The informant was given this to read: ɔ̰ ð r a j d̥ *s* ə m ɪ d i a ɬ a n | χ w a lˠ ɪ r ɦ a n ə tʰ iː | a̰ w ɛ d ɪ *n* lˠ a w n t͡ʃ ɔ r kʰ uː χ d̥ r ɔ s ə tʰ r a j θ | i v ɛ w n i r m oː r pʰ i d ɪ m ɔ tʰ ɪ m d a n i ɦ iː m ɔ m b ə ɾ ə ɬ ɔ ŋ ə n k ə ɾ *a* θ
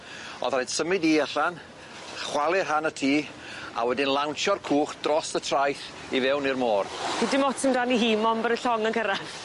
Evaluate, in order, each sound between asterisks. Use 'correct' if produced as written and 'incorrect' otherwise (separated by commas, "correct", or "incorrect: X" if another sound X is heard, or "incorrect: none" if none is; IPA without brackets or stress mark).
correct, correct, correct